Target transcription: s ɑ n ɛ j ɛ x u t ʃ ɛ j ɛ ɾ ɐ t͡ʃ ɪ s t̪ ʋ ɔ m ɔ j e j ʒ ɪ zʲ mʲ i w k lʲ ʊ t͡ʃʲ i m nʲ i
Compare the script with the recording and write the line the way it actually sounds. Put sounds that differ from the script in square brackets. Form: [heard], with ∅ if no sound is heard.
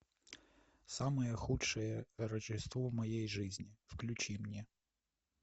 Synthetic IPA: s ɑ [m] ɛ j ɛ x u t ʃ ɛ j ɛ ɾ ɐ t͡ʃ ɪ s t̪ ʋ ɔ m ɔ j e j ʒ ɪ zʲ [nʲ] i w k lʲ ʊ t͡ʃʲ i m nʲ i